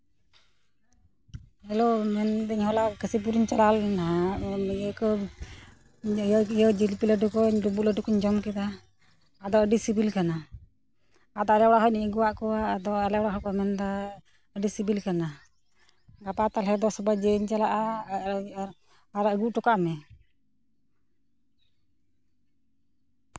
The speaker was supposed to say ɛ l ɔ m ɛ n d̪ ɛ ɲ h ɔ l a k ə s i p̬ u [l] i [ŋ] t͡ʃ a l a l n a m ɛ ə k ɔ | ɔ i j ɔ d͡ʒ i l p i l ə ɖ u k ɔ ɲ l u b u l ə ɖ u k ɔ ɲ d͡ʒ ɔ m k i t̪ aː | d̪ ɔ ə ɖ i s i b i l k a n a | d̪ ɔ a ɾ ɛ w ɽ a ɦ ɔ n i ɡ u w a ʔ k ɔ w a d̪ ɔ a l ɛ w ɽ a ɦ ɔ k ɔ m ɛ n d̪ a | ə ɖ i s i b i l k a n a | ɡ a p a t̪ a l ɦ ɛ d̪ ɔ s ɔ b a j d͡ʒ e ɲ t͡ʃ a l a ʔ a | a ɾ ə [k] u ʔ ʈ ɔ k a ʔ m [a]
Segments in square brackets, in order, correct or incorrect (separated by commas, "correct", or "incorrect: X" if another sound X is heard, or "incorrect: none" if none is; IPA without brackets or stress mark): incorrect: ɾ, incorrect: ɲ, incorrect: ɡ, incorrect: ɛ